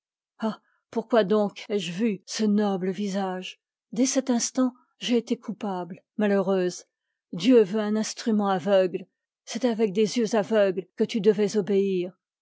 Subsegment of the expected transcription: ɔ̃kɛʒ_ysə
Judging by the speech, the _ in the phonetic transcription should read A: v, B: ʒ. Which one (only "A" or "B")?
A